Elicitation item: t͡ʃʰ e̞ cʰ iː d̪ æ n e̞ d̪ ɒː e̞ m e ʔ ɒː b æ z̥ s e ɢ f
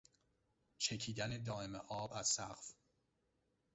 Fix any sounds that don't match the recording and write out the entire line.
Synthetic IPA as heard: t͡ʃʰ e̞ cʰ iː d̪ æ n e̞ d̪ ɒː e̞ m e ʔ ɒː b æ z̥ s æ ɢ f